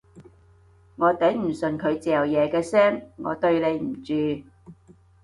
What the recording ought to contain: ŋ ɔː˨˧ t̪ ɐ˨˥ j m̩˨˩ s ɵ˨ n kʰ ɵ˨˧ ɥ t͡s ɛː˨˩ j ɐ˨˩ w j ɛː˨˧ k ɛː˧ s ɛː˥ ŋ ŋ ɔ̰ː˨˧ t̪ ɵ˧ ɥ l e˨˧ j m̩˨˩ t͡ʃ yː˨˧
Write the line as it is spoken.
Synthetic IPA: ŋ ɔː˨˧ t̪ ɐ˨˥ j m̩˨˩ s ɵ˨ n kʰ ɵ˨˧ ɥ t͡s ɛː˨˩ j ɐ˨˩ w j ɛː˨˧ k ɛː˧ s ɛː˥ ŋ ŋ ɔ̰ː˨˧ t̪ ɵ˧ ɥ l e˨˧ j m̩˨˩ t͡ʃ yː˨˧